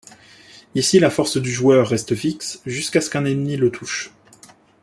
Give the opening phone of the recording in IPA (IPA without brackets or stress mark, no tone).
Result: i